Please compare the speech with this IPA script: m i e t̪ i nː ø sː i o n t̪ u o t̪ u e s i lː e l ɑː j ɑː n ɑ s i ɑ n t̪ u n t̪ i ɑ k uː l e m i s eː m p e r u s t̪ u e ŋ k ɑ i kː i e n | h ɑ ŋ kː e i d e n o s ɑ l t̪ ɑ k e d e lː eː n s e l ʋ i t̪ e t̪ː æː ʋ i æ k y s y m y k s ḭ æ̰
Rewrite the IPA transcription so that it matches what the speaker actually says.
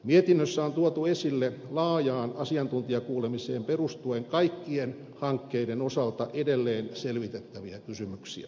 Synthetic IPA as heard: m i e t̪ i nː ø sː æ o n t̪ u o t̪ u e s i lː e l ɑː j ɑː n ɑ s i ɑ n t̪ u n t̪ i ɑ k uː l e m i s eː m p e r u s t̪ u e ŋ k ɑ i kː i e n | h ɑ ŋ kː e i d e n o s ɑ l t̪ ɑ ʔ e d e lː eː n s e l ʋ i t̪ e t̪ː æ ʋ i æ k y s y m y k s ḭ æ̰